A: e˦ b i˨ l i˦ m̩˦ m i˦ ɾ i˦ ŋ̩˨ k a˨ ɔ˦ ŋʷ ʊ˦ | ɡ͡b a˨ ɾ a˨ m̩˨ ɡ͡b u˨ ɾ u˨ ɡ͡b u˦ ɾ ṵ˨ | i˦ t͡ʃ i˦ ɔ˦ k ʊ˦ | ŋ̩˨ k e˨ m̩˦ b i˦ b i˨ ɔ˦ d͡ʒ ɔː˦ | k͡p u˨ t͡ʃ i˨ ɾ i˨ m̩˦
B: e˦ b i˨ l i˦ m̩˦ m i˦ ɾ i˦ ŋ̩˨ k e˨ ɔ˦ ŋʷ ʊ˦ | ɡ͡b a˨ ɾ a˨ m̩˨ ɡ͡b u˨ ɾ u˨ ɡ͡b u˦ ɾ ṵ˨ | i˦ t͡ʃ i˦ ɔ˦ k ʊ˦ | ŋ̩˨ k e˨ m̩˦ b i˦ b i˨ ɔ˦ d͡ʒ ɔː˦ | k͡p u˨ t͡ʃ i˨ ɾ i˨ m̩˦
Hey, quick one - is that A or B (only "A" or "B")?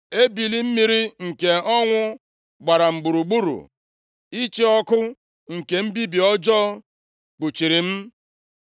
B